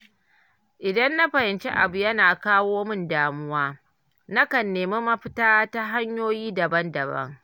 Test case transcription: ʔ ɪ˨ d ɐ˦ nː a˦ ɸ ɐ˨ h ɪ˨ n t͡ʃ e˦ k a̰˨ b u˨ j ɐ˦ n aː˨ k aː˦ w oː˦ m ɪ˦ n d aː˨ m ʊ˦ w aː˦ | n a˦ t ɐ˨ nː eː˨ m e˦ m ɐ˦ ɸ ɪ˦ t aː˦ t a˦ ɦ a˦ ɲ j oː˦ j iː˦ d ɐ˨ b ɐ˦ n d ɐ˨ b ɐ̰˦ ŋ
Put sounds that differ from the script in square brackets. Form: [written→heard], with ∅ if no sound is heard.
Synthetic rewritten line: ʔ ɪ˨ d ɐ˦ nː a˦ ɸ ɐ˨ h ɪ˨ n t͡ʃ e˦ [k→ʔ] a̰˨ b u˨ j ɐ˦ n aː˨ k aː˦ w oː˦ m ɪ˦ n d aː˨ m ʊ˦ w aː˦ | n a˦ [t→k] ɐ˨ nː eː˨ m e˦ m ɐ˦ ɸ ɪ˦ t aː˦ t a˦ ɦ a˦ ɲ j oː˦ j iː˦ d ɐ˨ b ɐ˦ n d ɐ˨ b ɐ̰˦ ŋ